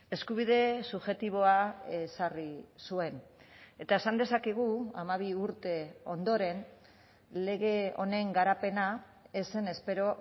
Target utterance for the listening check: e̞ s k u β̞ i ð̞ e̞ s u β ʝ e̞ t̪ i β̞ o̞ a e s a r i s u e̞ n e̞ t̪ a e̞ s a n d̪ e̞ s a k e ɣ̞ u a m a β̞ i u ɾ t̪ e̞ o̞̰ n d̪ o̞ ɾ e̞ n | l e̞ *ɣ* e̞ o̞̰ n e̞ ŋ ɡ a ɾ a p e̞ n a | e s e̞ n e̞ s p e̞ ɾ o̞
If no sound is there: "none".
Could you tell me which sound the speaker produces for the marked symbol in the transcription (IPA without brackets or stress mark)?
ɣ